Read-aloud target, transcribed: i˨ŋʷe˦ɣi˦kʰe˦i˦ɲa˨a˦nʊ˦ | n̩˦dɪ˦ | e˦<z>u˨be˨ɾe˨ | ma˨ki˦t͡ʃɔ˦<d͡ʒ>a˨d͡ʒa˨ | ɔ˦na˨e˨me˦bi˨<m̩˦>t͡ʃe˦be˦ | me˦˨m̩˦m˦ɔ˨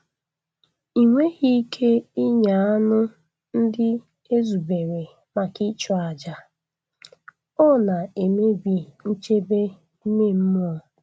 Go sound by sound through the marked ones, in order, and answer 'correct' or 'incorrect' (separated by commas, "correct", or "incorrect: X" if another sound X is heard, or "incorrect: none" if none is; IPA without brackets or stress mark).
correct, incorrect: none, incorrect: n̩˦